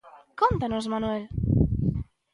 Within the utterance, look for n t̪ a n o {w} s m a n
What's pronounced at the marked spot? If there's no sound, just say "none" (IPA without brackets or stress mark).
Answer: none